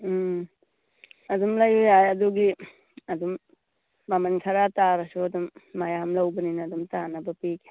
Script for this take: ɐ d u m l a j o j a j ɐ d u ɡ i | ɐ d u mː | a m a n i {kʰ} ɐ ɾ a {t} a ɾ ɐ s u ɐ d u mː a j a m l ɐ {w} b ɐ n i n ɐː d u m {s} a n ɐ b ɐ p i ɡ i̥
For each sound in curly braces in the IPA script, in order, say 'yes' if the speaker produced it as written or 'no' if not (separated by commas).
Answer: yes, yes, yes, no